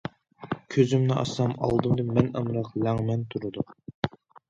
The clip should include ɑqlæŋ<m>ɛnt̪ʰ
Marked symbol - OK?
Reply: yes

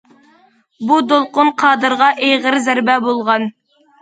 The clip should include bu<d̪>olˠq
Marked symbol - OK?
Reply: yes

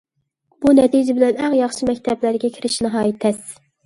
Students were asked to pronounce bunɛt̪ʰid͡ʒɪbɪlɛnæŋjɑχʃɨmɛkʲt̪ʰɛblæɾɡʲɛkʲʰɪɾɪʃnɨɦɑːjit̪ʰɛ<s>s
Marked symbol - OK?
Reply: yes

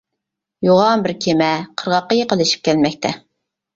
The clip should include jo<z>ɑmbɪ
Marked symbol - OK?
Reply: no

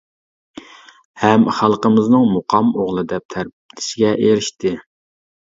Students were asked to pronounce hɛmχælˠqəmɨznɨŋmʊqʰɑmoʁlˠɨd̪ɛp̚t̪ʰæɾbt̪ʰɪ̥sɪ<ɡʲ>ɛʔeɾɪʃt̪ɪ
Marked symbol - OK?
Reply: yes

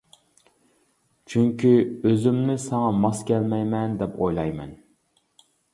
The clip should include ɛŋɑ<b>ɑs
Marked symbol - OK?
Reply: no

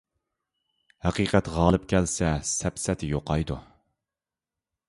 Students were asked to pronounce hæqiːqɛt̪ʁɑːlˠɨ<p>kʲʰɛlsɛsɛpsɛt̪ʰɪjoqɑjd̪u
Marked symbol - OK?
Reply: yes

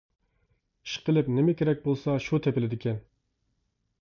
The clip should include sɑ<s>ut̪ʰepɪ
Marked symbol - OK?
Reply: no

